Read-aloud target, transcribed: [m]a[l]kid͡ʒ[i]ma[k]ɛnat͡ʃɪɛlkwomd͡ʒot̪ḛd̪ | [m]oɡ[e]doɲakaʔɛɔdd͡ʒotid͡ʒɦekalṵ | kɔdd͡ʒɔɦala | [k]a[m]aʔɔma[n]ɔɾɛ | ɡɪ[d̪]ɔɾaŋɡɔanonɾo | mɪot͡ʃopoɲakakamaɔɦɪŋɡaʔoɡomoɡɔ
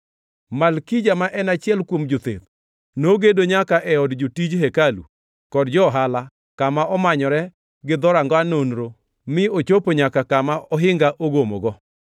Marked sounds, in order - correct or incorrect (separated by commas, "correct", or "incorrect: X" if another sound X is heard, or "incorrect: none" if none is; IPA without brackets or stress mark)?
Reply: correct, correct, incorrect: a, incorrect: ʔ, incorrect: n, correct, correct, correct, incorrect: ɲ, correct